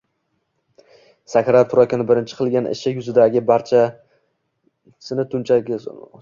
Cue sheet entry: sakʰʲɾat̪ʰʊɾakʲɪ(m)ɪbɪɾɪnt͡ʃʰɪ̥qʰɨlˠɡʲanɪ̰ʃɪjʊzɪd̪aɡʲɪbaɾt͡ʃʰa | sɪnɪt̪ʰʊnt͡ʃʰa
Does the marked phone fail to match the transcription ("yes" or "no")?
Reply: yes